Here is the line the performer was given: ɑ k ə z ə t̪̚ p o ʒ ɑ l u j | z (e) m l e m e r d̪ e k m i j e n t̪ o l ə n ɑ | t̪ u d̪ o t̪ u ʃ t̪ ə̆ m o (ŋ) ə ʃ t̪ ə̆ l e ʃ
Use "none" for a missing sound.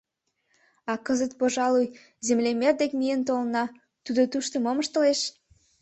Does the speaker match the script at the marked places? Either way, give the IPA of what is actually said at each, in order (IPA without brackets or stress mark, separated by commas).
e, m